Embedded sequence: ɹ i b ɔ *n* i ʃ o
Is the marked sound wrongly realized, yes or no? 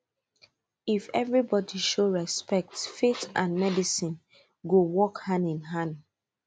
yes